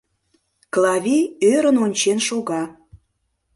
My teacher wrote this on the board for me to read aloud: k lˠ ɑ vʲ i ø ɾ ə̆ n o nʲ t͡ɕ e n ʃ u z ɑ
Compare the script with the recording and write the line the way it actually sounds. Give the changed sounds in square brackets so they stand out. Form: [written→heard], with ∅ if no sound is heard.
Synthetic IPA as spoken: k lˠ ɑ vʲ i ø ɾ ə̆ n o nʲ t͡ɕ e n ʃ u [z→ɣ] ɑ